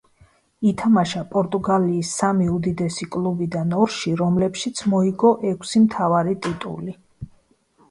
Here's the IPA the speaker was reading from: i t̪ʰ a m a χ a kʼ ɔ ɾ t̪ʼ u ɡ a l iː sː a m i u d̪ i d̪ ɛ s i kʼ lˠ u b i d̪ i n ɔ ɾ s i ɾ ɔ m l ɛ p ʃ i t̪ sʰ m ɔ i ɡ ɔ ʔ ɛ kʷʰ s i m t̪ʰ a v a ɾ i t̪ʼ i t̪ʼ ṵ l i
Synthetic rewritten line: i t̪ʰ a m a ʃ a pʼ ɔ ɾ t̪ʼ u ɡ a l iː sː a m i u d̪ i d̪ ɛ s i kʼ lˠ u b i d̪ a n ɔ ɾ ʃ i ɾ ɔ m l ɛ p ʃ i t̪ sʰ m ɔ i ɡ ɔ ʔ ɛ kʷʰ s i m t̪ʰ a v a ɾ i t̪ʼ i t̪ʼ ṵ l i